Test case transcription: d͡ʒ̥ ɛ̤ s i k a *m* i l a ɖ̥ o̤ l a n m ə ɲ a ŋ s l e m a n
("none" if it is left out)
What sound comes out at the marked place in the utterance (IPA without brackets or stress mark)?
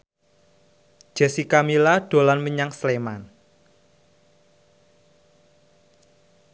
m